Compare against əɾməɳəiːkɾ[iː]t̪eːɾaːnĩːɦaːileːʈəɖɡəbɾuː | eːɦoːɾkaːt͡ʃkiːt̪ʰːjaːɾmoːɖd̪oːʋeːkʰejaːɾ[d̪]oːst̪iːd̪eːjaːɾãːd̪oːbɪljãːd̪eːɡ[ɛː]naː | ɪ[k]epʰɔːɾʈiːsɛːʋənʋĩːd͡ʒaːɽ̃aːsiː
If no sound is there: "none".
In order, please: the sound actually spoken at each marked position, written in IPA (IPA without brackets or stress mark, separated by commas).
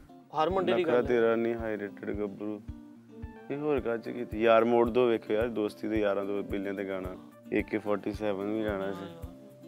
aː, d̪, aː, k